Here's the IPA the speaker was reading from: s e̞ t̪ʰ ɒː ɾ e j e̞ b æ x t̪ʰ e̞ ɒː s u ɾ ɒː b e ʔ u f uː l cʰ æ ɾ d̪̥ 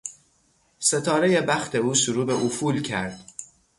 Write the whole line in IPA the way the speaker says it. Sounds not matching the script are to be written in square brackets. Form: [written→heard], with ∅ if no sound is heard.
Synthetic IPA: s e̞ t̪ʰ ɒː ɾ e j e̞ b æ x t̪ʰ e̞ [ɒː→uː] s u ɾ [ɒː→uː] b e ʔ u f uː l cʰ æ ɾ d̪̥